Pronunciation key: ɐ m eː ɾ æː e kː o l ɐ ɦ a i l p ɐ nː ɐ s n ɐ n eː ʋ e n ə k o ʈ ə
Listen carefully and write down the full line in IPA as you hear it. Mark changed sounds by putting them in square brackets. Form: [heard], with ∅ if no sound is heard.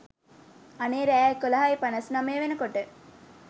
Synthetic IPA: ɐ [n] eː ɾ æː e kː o l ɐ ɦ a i [∅] p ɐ [n] ɐ s n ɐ [m] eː ʋ e n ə k o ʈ ə